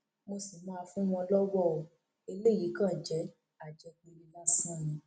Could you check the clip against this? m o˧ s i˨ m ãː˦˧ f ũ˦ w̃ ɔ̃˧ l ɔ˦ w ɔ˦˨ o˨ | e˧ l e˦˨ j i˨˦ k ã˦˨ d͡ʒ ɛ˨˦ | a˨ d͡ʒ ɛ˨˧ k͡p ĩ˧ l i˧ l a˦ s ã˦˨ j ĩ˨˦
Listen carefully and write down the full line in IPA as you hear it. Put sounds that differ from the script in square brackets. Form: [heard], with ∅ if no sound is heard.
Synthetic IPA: m o˧ s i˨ m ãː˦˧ f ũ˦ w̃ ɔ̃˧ l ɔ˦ w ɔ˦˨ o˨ | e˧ l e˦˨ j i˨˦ k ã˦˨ d͡ʒ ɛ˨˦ | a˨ d͡ʒ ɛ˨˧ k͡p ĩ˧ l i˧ l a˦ s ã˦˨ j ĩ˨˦